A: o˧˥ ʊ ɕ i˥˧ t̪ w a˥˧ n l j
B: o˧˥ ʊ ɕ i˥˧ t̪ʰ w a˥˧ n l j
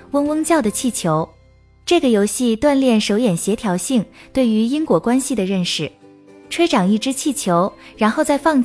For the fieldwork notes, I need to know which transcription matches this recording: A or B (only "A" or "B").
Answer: A